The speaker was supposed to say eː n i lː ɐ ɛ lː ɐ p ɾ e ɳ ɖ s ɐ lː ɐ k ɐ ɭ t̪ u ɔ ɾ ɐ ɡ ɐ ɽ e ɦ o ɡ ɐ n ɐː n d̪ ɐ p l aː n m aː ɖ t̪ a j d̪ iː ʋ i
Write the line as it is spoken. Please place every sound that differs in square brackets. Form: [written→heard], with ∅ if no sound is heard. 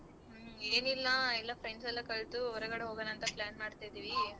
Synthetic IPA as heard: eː n i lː ɐ ɛ lː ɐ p ɾ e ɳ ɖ s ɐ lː ɐ k ɐ ɭ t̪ u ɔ ɾ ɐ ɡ ɐ ɽ e ɦ o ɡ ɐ n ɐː n [d̪→t̪] ɐ p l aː n m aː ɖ t̪ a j d̪ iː ʋ i